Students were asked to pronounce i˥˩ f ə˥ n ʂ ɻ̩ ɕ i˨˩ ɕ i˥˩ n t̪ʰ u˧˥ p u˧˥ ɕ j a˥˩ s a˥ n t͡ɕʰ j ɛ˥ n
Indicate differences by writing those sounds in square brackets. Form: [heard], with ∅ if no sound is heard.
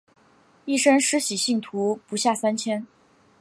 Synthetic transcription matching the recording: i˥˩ [ʂ] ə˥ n ʂ ɻ̩ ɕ i˨˩ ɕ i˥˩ [ŋ] t̪ʰ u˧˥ p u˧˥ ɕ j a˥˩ s a˥ n t͡ɕʰ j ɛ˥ n